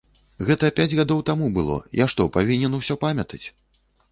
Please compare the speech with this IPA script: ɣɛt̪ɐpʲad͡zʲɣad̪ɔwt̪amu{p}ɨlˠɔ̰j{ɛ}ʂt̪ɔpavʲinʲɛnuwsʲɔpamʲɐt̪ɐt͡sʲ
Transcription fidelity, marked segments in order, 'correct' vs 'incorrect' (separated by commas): incorrect, incorrect